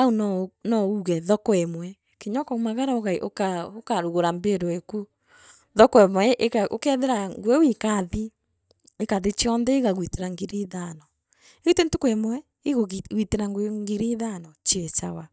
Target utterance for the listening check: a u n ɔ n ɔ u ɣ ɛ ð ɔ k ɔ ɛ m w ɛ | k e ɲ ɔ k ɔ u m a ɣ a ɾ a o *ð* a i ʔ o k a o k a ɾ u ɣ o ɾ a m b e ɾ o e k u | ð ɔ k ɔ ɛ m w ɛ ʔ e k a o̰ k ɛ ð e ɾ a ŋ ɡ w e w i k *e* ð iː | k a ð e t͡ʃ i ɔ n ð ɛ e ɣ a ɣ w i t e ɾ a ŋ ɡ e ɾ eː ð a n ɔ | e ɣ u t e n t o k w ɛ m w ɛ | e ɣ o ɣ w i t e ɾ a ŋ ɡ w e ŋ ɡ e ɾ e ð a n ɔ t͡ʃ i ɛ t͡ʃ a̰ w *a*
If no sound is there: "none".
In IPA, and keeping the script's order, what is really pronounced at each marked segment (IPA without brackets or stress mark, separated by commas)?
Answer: ɣ, a, a